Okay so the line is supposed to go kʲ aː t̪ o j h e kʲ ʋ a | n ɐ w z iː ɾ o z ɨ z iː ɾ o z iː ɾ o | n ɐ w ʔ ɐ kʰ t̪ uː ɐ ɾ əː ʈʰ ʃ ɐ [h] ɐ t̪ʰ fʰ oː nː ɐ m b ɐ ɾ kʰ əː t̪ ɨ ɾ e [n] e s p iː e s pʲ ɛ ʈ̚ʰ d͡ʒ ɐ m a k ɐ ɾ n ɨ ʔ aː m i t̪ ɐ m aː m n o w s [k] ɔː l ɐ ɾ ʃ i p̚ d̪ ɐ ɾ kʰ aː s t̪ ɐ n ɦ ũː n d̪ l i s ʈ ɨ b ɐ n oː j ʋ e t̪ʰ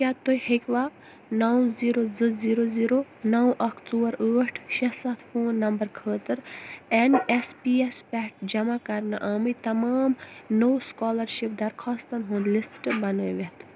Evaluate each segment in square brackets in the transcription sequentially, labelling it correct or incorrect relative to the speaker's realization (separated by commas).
incorrect, correct, correct